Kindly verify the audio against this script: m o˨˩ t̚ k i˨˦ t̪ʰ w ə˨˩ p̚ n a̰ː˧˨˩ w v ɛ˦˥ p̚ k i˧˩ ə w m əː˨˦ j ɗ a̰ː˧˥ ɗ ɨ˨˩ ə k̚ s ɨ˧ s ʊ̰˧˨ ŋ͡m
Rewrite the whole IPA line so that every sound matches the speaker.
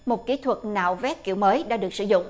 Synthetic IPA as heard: m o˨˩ t̚ k i˨˦ t̪ʰ w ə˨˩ t̚ n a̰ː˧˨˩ w v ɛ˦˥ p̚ k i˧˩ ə w m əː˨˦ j ɗ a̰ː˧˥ ɗ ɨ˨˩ ə k̚ s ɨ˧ z ʊ̰˧˨ ŋ͡m